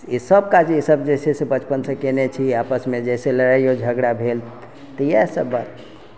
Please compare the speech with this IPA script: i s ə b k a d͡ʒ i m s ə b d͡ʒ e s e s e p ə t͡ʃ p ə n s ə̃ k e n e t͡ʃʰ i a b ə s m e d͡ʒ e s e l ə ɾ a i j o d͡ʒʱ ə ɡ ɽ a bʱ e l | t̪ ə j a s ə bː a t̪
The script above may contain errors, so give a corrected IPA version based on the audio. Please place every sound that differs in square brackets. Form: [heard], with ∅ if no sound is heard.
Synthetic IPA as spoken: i s ə b k a d͡ʒ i [∅] s ə b d͡ʒ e s e s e [b] ə t͡ʃ p ə n s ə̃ k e n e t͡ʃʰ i a [p] ə s m e d͡ʒ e s e l ə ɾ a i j o d͡ʒʱ ə ɡ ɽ a bʱ e l | t̪ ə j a s ə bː a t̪